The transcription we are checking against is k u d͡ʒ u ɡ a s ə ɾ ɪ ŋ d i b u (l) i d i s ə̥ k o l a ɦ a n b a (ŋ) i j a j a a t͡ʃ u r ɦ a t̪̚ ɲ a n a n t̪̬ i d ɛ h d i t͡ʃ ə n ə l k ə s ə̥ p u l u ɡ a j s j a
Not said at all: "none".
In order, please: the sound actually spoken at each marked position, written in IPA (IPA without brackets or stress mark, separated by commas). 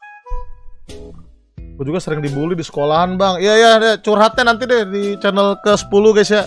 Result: l, ŋ